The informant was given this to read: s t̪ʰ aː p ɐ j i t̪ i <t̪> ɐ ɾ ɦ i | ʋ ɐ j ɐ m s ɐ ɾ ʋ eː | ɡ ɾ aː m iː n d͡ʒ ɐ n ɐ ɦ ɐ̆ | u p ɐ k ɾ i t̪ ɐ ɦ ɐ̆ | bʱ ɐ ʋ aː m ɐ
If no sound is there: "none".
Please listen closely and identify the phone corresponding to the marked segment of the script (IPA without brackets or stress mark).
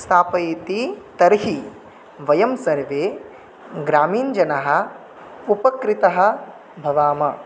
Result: t̪